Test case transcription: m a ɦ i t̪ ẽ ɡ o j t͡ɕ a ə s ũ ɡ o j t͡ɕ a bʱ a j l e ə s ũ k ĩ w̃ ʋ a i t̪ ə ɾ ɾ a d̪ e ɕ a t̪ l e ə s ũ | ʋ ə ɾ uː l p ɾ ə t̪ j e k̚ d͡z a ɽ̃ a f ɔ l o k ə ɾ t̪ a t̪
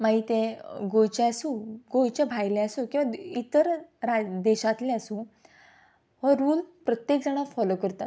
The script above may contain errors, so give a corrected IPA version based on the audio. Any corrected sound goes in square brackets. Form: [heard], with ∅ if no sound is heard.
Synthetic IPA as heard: m a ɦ i t̪ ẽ ɡ o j t͡ɕ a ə s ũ ɡ o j t͡ɕ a bʱ a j l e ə s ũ k ĩ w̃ ʋ a i t̪ ə ɾ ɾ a d̪ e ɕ a t̪ l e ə s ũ | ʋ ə ɾ uː l p ɾ ə t̪ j e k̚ d͡z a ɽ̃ a f ɔ l o k ə ɾ t̪ a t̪